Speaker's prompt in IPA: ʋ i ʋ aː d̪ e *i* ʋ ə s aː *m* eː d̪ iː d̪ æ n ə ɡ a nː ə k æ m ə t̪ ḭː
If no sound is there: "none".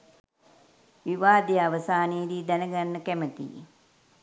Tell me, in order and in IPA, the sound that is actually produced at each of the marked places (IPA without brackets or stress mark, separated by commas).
a, n